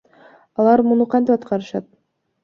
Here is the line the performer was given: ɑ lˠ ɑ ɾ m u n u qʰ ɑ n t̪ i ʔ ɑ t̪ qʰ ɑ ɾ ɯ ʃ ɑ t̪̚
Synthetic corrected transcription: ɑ lˠ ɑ ɾ m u n u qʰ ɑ n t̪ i p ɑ t̪ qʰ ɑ ɾ ɯ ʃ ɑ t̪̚

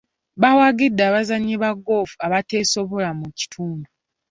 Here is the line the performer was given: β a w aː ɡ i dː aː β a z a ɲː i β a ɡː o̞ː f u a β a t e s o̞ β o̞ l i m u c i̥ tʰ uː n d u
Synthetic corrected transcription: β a w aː ɡ i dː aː β a z a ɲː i β a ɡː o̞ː f u a β a t e s o̞ β o̞ l a m u c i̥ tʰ uː n d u

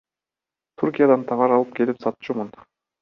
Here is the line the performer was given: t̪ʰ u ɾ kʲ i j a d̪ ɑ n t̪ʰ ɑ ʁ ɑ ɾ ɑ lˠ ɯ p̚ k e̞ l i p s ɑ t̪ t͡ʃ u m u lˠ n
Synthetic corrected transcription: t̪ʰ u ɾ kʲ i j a d̪ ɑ n t̪ʰ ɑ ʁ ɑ ɾ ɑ lˠ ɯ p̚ k e̞ l i p s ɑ t̪ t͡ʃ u m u n

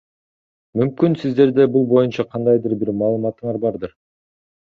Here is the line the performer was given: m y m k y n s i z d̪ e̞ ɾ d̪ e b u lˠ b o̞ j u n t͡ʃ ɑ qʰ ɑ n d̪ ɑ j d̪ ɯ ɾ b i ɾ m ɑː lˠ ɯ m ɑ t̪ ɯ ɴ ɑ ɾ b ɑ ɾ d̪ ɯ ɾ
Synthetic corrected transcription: m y m k y n s i z d̪ e̞ ɾ d̪ e b u lˠ b o̞ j u n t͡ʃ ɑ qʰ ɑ n d̪ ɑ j d̪ ɯ ɾ b i ɾ m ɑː lˠ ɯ m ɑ t̪ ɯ ɴ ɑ ɾ b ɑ ɾ d̪ ɯ ɾ

